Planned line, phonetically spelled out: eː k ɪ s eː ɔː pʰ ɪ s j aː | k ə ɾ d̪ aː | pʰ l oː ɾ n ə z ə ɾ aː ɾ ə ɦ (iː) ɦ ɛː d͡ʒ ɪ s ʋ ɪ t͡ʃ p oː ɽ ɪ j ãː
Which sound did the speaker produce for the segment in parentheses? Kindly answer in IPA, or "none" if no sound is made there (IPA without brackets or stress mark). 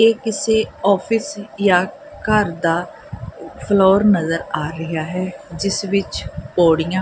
aː